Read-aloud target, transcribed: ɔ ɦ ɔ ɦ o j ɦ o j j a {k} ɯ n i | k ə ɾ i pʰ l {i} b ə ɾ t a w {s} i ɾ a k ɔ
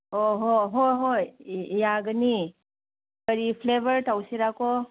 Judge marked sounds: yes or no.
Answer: no, no, yes

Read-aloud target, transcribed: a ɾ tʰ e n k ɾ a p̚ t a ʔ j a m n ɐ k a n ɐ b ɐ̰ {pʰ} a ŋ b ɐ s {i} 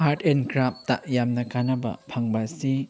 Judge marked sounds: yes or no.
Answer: yes, yes

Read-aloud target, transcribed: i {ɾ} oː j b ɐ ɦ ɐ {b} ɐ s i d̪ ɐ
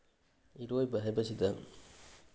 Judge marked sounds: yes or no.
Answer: yes, yes

